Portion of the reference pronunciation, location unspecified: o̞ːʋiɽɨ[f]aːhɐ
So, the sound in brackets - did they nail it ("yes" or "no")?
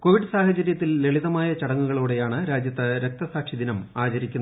no